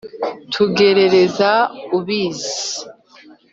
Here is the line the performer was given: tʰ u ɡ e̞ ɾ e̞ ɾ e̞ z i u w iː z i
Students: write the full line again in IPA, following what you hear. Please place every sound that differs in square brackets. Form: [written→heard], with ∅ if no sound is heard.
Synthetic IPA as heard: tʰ u ɡ e̞ ɾ e̞ ɾ e̞ z [i→a] u [w→β] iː z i